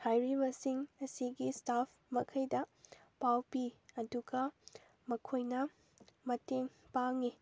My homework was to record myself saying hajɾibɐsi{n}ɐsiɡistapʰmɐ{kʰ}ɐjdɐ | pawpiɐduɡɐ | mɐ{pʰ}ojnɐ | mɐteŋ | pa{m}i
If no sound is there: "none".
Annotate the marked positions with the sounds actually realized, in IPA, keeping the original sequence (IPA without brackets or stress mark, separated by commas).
ŋ, kʰ, kʰ, ŋ